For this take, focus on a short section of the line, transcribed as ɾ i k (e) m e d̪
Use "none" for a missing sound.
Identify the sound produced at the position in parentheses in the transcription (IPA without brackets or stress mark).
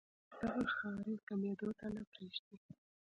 a